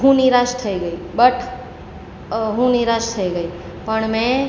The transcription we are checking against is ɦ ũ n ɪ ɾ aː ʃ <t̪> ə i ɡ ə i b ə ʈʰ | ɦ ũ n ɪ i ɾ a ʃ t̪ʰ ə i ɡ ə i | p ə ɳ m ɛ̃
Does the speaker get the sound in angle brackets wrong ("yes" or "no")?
yes